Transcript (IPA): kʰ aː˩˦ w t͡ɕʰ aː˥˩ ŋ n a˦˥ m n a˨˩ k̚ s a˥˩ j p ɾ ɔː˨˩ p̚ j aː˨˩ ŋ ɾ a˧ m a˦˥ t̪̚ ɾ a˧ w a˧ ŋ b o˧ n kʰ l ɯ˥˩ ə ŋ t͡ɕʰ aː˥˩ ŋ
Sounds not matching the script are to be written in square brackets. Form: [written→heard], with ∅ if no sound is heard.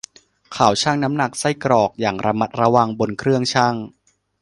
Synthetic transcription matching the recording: kʰ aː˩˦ w t͡ɕʰ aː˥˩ ŋ n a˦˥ m n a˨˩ k̚ s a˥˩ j [p→k] ɾ ɔː˨˩ [p̚→k̚] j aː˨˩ ŋ ɾ a˧ m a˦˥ t̪̚ ɾ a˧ w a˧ ŋ b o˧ n kʰ [l→ɾ] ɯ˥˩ ə ŋ t͡ɕʰ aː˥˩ ŋ